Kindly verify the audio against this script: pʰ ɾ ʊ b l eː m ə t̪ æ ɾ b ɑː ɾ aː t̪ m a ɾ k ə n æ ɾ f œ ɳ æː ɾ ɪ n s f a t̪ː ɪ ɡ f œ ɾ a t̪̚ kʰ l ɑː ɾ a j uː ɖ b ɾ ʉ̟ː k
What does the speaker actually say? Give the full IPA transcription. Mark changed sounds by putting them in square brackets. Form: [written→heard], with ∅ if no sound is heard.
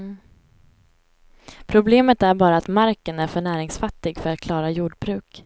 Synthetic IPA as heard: pʰ ɾ ʊ b l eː m ə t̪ æ ɾ b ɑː ɾ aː t̪ m a ɾ k ə n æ ɾ f œ ɳ æː ɾ ɪ [n→ŋ] s f a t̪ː ɪ ɡ f œ ɾ a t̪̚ kʰ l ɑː ɾ a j uː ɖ b ɾ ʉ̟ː k